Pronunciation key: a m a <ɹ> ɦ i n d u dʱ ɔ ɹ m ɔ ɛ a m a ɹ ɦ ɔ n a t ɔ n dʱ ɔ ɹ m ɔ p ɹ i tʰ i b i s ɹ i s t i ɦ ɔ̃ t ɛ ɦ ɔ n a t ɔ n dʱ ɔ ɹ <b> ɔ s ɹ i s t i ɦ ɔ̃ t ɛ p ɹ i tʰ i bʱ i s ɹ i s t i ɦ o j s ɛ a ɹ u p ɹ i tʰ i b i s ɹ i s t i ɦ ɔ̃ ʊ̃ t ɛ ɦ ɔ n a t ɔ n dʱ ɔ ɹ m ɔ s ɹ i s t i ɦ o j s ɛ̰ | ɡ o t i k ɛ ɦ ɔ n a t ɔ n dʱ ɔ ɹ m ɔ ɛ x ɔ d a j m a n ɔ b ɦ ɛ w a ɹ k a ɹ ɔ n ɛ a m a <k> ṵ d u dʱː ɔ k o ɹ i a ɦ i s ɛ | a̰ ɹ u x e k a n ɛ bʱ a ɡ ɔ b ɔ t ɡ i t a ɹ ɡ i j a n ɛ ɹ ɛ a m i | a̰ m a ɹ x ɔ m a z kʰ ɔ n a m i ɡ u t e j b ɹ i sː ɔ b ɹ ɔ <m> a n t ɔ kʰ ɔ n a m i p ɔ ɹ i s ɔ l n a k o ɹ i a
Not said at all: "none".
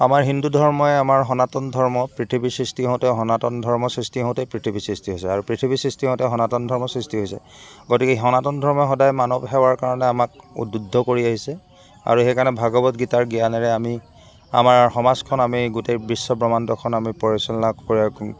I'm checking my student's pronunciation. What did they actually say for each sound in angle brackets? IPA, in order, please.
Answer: ɹ, m, k, m

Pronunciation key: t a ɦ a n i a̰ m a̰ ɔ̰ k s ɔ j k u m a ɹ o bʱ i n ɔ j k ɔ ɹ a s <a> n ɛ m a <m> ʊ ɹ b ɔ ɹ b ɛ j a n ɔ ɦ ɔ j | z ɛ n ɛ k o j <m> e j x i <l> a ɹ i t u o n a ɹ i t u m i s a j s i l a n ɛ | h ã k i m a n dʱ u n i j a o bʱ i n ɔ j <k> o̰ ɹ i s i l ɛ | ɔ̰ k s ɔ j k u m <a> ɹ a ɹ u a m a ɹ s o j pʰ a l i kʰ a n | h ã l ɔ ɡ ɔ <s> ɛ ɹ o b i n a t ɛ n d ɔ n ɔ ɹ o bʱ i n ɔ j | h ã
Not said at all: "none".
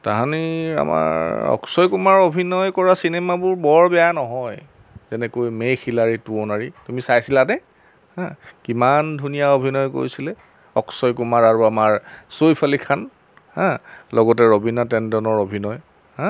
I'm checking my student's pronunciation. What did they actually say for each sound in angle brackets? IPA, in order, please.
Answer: i, b, m, l, k, a, t

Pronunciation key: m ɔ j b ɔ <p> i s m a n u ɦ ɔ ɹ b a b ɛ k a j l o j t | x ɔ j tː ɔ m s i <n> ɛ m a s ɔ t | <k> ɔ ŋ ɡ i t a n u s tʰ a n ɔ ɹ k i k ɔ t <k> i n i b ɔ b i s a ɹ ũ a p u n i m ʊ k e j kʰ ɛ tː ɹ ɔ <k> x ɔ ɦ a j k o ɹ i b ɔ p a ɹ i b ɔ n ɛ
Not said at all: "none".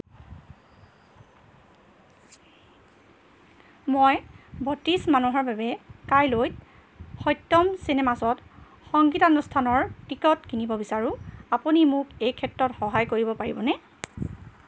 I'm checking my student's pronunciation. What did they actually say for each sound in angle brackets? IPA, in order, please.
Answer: t, n, x, k, t

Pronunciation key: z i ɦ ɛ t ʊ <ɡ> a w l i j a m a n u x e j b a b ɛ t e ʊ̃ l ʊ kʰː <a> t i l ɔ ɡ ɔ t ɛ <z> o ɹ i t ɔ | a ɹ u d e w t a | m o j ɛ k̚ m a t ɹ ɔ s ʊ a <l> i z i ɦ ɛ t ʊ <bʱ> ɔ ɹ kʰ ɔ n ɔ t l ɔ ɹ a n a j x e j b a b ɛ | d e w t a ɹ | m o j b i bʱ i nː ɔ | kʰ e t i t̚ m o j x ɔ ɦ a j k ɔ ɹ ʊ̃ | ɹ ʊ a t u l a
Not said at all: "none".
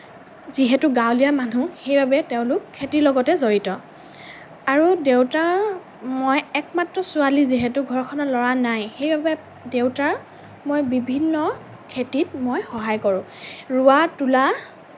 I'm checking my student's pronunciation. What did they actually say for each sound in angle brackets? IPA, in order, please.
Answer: ɡ, e, z, l, ɡʱ

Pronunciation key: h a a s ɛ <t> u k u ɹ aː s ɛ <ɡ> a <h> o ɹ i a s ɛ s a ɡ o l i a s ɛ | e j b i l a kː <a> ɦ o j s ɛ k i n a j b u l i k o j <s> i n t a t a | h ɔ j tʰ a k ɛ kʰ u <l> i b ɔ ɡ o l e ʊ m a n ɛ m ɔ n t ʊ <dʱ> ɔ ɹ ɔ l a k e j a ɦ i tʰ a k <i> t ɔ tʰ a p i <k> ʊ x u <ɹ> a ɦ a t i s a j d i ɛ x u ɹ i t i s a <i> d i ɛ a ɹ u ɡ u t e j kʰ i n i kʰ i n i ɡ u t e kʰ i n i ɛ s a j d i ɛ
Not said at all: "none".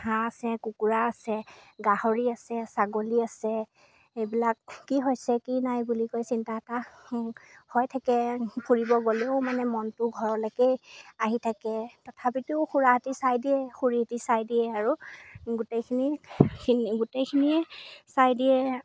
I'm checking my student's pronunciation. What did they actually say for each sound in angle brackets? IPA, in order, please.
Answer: k, ɡ, h, i, s, ɹ, ɡʱ, ɛ, t, ɹ, j

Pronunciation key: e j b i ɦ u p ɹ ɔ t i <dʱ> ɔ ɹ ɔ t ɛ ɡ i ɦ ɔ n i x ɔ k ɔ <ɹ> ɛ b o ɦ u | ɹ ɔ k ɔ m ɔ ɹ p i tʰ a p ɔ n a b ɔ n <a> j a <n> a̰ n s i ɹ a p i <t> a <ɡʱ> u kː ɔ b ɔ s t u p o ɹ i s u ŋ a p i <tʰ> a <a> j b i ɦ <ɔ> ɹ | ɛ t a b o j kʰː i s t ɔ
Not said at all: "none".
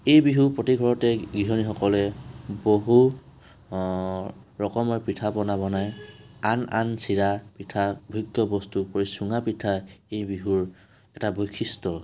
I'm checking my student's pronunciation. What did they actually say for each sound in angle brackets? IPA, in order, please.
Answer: ɡʱ, l, a, n, tʰ, bʱ, tʰ, e, u

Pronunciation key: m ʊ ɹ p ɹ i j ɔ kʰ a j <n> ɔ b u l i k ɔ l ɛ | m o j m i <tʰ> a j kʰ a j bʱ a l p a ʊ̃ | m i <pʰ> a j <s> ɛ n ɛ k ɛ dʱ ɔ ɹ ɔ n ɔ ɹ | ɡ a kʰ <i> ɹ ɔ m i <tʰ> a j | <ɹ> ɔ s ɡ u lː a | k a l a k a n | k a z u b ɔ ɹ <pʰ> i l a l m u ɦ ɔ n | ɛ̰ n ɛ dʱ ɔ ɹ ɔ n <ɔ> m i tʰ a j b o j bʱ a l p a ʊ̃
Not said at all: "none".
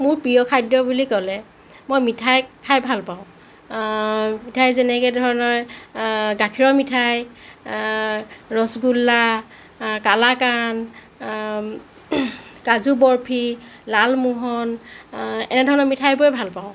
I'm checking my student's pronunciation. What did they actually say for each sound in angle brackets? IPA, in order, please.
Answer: d, tʰ, tʰ, z, i, tʰ, ɹ, pʰ, ɔ

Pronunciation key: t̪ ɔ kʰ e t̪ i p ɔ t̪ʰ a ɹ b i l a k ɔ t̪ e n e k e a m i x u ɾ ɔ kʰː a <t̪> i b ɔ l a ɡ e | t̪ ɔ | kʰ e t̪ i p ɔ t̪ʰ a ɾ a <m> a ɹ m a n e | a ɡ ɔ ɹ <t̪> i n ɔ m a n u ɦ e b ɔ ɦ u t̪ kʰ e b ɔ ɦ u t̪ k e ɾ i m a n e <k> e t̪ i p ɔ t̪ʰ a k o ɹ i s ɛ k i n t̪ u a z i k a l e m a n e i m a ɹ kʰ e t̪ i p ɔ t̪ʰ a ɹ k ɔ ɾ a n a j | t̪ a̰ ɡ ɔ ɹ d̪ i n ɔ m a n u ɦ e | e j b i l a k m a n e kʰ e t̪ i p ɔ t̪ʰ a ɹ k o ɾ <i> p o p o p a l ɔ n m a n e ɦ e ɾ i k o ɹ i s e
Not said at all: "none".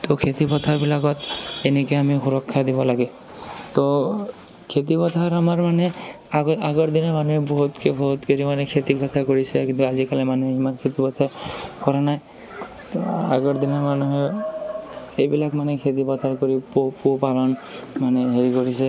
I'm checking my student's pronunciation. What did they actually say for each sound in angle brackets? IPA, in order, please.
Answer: d̪, m, d̪, kʰ, i

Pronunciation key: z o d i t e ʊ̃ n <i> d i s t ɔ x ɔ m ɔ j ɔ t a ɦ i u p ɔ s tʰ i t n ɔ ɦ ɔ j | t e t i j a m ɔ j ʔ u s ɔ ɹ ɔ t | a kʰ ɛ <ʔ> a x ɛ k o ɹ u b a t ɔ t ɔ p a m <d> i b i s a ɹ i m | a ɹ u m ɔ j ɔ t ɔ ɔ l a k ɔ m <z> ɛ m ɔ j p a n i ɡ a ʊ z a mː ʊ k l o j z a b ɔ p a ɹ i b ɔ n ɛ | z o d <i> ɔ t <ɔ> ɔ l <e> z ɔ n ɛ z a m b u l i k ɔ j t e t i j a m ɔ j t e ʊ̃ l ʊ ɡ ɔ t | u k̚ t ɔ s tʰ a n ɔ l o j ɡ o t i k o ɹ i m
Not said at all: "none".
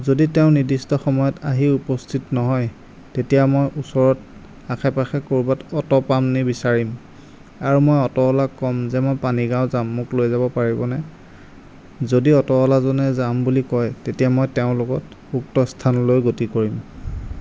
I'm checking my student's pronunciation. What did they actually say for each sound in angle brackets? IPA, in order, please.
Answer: i, p, n, z, i, ɔ, a

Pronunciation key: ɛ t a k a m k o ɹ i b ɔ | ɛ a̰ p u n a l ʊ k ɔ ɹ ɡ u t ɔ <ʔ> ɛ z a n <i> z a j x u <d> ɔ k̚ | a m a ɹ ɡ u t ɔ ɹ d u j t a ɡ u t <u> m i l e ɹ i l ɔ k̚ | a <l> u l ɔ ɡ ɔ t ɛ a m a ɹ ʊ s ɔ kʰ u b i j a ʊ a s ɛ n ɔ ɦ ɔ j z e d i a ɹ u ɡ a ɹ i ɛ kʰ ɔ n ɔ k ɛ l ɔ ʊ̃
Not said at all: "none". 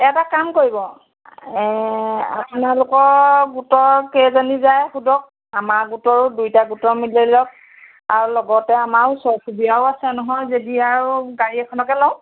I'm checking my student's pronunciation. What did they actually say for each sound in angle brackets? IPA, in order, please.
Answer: k, i, d, ɔ, ɹ

